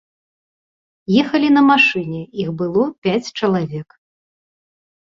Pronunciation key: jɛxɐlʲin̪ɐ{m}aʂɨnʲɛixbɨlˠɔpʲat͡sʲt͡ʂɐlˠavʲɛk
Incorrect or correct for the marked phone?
correct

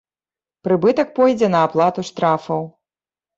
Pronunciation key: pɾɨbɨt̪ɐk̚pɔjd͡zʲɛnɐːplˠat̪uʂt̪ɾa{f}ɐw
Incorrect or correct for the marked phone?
correct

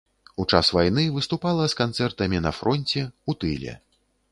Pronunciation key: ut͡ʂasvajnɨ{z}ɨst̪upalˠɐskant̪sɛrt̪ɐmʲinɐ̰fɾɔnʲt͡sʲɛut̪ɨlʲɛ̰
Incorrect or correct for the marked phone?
incorrect: v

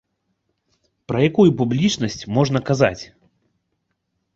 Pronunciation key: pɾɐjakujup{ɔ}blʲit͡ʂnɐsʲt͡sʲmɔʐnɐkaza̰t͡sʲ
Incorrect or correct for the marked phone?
incorrect: u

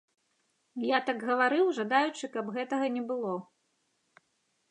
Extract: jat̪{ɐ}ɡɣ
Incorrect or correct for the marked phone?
incorrect: a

